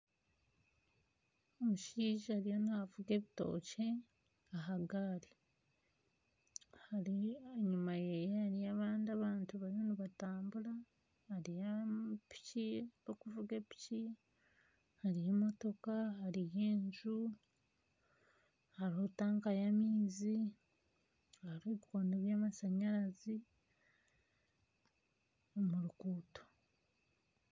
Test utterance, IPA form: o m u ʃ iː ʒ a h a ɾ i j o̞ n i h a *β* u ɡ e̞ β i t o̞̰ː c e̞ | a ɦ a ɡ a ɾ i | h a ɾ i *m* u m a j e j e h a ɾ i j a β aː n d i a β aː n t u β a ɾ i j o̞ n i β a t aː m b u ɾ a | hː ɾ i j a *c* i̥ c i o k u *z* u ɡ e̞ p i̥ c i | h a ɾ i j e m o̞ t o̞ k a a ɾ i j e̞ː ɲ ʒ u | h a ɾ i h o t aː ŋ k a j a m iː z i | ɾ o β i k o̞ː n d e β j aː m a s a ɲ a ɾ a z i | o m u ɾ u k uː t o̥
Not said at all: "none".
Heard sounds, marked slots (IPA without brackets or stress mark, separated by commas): v, ɲ, p, v